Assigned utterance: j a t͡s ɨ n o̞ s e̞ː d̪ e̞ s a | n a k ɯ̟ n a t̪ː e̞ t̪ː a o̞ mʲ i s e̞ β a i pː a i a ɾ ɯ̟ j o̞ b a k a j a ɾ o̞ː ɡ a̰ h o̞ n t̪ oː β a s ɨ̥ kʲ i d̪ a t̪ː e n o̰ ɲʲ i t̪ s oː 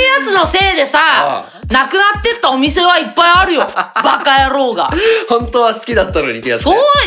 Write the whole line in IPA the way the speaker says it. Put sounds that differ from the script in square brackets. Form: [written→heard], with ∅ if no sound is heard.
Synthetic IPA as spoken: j a t͡s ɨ n o̞ s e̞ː d̪ e̞ s a | n a k ɯ̟ n a t̪ː e̞ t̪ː a o̞ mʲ i s e̞ β a i pː a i a ɾ ɯ̟ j o̞ b a k a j a ɾ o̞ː ɡ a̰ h [o̞→õ̞] n t̪ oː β a s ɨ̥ kʲ i d̪ a t̪ː [e→a] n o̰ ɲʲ i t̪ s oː